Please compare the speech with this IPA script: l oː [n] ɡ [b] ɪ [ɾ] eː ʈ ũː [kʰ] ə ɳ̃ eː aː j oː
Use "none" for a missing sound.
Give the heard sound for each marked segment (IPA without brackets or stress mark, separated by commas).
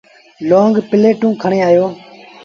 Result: ŋ, p, l, kʰ